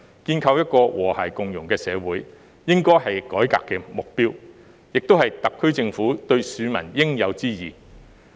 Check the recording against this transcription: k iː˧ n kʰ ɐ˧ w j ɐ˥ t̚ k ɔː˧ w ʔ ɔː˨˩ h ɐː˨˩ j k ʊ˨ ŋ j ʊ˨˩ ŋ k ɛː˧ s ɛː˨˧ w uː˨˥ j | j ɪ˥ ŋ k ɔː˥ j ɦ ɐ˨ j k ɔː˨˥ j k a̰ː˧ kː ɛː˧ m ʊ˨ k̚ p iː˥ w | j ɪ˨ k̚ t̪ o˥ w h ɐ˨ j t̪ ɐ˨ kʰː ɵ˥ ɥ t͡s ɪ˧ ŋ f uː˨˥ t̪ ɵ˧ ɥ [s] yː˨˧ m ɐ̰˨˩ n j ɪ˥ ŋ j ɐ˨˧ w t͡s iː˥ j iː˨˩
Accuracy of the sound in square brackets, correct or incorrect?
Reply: correct